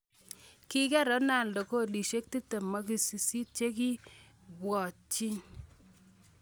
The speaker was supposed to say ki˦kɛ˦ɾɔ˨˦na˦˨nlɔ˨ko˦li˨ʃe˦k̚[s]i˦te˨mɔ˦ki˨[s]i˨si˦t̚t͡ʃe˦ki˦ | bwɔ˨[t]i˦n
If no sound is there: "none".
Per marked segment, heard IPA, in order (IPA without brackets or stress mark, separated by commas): t, s, t͡ʃ